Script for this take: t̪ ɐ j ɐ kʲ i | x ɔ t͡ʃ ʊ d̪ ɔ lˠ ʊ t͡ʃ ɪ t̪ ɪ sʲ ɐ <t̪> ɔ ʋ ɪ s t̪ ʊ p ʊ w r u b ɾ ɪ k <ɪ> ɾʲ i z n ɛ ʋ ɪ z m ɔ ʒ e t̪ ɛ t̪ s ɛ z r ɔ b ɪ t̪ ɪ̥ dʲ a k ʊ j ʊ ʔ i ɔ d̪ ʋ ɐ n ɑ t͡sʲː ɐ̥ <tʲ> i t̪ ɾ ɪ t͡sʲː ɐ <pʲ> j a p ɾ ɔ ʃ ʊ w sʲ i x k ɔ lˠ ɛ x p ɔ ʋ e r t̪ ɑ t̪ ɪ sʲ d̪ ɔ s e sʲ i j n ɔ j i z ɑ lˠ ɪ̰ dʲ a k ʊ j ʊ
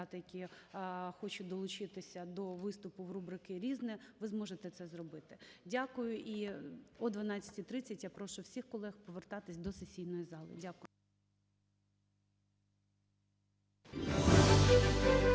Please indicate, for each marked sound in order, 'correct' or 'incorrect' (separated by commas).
incorrect, correct, correct, incorrect